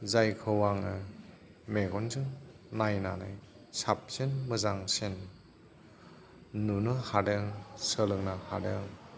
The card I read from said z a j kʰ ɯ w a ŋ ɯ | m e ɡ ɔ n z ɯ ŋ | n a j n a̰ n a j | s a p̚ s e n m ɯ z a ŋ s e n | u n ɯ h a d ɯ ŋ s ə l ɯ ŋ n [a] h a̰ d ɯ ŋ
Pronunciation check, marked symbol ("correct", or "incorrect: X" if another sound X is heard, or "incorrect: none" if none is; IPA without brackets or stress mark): correct